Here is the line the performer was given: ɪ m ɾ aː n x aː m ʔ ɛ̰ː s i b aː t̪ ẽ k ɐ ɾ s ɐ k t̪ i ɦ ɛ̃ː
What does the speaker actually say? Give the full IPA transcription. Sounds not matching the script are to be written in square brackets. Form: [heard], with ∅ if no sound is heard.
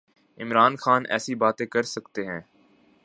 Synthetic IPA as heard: ɪ m ɾ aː n x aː [n] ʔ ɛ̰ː s i b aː t̪ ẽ k ɐ ɾ s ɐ k t̪ [e] ɦ ɛ̃ː